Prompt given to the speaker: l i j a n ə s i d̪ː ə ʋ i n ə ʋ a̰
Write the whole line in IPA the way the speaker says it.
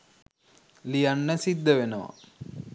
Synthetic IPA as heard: l i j a nː ə s i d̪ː ə ʋ e n ə ʋ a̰

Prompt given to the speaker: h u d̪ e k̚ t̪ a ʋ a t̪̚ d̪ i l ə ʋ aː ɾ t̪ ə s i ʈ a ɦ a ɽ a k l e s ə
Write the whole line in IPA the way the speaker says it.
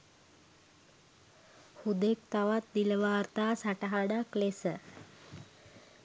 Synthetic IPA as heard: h u d̪ e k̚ t̪ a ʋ a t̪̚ d̪ i l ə ʋ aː ɾ t̪ a s a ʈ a ɦ a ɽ a k l e s ə

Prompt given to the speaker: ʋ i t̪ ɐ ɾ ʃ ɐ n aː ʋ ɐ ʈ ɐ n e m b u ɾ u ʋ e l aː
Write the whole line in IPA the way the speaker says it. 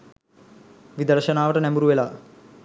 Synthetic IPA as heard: ʋ i d̪ ɐ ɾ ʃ ɐ n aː ʋ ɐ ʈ ɐ n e m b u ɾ u ʋ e l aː

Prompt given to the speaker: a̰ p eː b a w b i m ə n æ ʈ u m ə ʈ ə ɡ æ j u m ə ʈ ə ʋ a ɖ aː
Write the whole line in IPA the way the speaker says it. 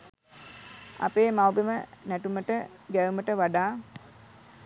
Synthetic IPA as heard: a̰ p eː m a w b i m ə n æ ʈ u m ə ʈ ə ɡ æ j u m ə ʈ ə ʋ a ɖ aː

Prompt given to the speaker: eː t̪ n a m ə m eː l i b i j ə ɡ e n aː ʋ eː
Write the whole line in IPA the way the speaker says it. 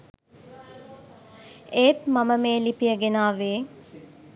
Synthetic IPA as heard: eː t̪ m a m ə m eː l i p i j ə ɡ e n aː ʋ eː

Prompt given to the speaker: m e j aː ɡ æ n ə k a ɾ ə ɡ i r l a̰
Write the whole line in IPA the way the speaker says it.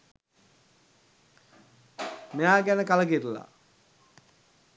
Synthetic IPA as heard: m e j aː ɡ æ n ə k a l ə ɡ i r l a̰

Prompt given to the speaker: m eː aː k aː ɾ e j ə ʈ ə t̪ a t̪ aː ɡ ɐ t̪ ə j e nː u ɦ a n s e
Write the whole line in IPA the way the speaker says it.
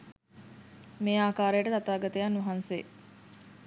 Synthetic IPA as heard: m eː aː k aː ɾ e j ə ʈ ə t̪ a t̪ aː ɡ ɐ t̪ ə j a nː u ɦ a n s e

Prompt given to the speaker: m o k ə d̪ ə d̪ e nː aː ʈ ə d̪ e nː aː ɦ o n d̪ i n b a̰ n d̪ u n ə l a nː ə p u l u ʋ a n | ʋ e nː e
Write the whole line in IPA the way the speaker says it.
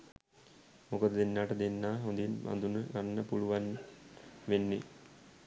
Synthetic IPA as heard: m o k ə d̪ ə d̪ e nː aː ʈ ə d̪ e nː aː ɦ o n d̪ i n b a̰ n d̪ u n ə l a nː ə p u l u ʋ a n | ʋ e nː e

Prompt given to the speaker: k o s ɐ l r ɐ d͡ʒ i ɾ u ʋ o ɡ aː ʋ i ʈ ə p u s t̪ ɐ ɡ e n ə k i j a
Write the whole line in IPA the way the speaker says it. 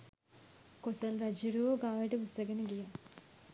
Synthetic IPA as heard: k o s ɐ l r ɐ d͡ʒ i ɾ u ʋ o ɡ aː ʋ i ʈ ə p u s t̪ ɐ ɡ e n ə ɡ i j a

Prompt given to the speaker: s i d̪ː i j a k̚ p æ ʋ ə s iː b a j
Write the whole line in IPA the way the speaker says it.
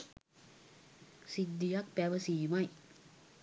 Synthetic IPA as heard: s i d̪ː i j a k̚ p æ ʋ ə s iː m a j

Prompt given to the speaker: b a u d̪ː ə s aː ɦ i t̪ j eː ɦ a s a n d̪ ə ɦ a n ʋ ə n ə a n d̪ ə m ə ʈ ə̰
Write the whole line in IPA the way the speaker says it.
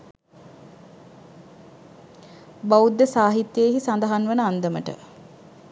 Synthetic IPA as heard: b a u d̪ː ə s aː ɦ i t̪ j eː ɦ i s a n d̪ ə ɦ a n ʋ ə n ə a n d̪ ə m ə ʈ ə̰

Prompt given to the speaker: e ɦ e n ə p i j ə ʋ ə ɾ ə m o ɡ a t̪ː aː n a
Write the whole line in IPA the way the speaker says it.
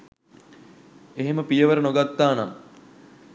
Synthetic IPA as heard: e ɦ e m ə p i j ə ʋ ə ɾ ə n o ɡ a t̪ː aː n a

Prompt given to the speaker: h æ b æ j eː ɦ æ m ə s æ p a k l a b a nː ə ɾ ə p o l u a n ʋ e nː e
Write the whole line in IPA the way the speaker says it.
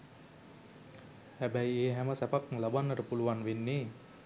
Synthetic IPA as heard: h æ b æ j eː ɦ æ m ə s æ p a k l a b a nː ə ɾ ə p u l u a n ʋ e nː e

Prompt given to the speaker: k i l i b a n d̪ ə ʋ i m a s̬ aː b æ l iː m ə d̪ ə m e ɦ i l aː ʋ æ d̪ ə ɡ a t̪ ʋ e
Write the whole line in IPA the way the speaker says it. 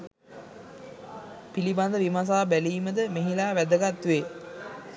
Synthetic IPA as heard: p i l i b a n d̪ ə ʋ i m a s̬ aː b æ l iː m ə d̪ ə m e ɦ i l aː ʋ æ d̪ ə ɡ a t̪ ʋ e

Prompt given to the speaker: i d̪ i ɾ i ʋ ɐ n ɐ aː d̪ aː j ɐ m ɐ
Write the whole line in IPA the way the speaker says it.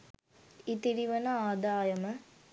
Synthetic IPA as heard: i t̪ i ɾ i ʋ ɐ n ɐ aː d̪ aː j ɐ m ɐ

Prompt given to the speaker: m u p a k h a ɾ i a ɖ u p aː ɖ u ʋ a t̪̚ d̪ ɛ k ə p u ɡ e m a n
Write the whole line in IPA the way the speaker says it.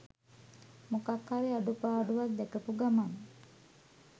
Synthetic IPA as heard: m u k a k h a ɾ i a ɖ u p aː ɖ u ʋ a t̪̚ d̪ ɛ k ə p u ɡ a m a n

